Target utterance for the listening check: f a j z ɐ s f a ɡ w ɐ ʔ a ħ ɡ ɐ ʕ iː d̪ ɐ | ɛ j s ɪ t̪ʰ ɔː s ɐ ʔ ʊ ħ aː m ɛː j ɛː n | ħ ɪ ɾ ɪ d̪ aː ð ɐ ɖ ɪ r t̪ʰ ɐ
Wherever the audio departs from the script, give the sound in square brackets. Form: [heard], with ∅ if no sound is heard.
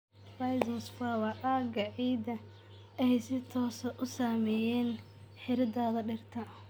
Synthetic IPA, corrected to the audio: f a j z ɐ s f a [∅] w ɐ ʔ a [∅] ɡ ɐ ʕ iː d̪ ɐ | ɛ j s ɪ t̪ʰ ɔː s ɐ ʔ ʊ [s] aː m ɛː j ɛː n | ħ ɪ ɾ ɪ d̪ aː ð ɐ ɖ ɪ r t̪ʰ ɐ